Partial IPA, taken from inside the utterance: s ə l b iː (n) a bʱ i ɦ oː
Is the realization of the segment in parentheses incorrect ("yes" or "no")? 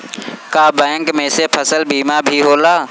yes